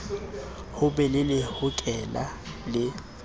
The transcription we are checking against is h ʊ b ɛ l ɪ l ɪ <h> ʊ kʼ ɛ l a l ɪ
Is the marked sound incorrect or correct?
correct